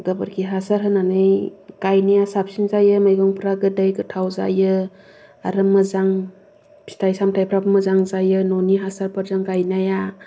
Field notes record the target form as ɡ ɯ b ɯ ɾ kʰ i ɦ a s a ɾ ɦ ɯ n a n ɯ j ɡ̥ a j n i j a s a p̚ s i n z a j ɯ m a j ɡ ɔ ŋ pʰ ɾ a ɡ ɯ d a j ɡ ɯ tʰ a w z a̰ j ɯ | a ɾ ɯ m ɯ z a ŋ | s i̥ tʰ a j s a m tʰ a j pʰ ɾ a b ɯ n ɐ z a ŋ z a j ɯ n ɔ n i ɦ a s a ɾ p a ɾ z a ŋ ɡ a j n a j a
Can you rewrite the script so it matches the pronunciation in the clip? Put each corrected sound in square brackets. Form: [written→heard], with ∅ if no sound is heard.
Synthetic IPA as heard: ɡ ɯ b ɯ ɾ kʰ i ɦ a s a ɾ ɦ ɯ n a n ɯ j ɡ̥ a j n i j a s a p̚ s i n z a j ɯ m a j ɡ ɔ ŋ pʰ ɾ a ɡ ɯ d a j ɡ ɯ tʰ a w z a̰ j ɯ | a ɾ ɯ m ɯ z a ŋ | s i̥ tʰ a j s a m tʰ a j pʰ ɾ a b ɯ [n→m] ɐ z a ŋ z a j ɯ n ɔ n i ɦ a s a ɾ p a ɾ z a ŋ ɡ a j n a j a